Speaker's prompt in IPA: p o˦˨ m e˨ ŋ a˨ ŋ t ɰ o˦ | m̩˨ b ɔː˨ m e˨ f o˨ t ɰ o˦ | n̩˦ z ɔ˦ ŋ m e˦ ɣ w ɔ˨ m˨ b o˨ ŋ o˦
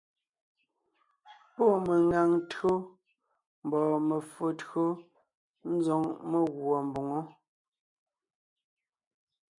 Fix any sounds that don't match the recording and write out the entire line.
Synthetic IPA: p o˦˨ m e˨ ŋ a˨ ŋ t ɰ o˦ | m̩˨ b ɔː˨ m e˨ f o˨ t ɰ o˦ | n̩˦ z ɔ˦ ŋ m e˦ ɣ w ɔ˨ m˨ b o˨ ŋ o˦